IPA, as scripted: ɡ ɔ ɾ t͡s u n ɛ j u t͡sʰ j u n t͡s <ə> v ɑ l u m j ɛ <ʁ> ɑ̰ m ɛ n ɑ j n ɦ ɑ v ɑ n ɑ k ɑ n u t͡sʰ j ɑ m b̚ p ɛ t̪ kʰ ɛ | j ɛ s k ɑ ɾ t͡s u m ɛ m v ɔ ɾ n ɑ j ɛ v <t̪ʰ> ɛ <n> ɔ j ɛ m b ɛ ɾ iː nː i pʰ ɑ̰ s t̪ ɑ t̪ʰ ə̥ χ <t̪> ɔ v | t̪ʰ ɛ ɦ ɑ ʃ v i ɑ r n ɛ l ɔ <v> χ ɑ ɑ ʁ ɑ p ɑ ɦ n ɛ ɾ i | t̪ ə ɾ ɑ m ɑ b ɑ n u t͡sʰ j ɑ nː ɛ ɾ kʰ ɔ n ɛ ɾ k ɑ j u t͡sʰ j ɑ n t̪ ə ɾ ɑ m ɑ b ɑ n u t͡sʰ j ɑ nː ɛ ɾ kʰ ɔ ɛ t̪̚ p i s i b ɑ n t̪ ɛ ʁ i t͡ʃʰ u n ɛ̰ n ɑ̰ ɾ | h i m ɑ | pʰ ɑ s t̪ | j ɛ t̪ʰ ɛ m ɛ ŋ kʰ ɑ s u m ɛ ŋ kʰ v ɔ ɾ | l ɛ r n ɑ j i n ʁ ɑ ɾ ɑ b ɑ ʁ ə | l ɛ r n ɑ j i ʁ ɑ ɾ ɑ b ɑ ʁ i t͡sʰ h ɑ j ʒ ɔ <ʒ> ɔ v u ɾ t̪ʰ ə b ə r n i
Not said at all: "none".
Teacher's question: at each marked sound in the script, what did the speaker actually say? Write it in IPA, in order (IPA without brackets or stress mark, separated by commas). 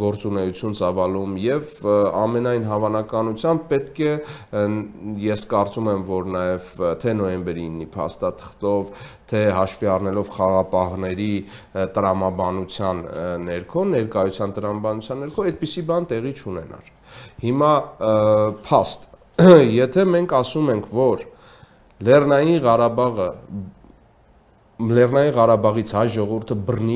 ɑ, v, t̪ʰ, n, t̪, v, ʁ